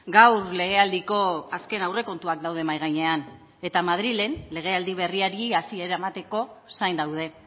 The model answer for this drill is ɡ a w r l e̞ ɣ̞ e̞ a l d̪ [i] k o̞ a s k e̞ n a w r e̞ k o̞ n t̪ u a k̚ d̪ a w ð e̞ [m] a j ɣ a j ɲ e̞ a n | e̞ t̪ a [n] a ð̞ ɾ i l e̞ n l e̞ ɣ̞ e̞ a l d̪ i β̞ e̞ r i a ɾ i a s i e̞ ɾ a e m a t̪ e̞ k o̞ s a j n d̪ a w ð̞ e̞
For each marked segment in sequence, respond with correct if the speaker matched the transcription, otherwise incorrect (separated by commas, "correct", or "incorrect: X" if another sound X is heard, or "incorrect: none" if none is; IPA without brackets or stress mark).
correct, correct, incorrect: m